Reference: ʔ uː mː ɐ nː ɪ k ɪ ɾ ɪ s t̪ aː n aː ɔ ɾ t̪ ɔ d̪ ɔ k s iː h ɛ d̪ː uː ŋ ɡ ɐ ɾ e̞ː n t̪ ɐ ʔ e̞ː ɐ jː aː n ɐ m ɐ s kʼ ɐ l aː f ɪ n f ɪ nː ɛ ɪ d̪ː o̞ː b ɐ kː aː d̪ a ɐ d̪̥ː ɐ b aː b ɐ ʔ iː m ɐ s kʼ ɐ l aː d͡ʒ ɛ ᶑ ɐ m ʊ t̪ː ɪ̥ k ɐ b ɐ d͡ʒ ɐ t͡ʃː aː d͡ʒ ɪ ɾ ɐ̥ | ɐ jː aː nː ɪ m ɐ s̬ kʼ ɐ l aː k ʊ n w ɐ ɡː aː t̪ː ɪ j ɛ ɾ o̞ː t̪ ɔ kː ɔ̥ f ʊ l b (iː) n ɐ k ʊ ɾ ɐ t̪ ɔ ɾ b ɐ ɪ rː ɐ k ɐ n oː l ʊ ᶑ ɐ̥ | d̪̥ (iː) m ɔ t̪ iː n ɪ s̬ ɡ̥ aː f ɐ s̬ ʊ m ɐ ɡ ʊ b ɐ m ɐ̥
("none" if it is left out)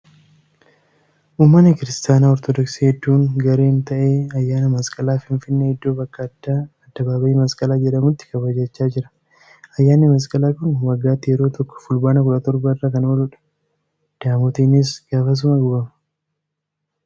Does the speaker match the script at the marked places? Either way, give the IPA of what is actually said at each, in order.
aː, aː

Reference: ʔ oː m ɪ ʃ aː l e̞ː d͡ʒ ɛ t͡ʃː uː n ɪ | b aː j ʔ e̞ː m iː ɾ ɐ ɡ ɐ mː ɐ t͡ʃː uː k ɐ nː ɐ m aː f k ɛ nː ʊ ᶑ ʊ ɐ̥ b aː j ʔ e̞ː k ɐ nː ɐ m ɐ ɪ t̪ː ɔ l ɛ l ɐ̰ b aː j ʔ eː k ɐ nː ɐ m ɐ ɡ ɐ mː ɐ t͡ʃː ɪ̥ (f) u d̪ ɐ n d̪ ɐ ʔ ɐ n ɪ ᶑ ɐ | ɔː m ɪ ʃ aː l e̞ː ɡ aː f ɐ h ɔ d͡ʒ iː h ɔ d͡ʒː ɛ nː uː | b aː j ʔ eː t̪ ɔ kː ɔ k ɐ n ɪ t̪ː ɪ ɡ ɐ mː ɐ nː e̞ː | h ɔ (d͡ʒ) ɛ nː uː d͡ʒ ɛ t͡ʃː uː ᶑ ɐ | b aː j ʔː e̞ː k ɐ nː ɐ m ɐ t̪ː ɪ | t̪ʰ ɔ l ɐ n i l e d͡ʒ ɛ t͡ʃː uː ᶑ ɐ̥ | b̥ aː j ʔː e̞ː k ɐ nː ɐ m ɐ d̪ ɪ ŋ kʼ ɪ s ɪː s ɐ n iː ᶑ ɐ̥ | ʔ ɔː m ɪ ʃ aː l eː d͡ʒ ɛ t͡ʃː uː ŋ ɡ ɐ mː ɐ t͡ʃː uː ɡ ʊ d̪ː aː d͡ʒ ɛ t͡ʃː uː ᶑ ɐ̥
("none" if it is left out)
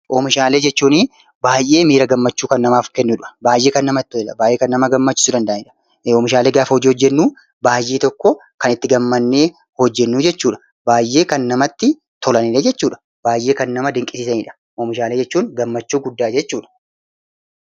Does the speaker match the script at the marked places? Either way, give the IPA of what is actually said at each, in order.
s, d͡ʒː

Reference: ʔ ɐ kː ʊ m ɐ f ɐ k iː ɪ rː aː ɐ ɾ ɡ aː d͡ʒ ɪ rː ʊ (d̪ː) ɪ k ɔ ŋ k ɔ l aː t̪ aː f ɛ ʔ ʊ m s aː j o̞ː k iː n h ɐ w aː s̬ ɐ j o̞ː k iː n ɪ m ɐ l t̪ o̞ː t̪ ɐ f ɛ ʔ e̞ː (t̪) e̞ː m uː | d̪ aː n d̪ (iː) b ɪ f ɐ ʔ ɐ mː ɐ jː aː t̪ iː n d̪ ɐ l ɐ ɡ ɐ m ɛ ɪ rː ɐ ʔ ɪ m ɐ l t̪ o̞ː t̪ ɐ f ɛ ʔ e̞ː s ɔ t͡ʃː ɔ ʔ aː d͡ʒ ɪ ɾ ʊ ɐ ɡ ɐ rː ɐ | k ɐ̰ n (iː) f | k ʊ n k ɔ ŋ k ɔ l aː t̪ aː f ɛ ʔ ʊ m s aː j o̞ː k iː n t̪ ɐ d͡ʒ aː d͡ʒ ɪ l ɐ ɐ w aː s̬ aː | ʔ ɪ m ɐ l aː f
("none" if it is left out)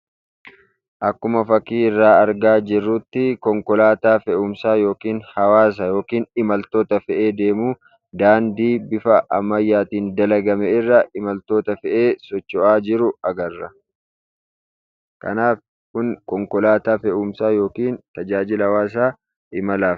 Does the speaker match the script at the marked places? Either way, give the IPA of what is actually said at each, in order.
t̪ː, d̪, iː, aː

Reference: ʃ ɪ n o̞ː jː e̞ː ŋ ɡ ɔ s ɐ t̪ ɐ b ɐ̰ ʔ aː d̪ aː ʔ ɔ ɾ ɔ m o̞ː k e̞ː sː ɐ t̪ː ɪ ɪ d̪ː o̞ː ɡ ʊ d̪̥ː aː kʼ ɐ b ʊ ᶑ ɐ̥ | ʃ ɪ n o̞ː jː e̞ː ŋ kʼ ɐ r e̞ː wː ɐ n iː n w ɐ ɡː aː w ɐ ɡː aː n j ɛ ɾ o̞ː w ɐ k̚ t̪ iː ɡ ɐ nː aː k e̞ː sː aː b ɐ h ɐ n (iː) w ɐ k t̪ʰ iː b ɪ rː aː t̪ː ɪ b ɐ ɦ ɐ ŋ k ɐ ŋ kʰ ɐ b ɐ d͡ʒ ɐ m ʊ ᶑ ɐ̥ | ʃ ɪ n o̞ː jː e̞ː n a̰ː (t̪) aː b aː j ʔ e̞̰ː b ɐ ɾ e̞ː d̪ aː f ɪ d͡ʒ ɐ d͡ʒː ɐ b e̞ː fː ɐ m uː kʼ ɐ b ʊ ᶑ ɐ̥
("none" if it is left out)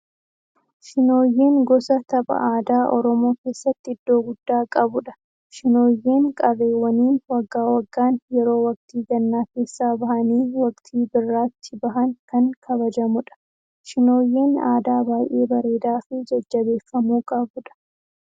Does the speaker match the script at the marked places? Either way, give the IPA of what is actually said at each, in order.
iː, d̪

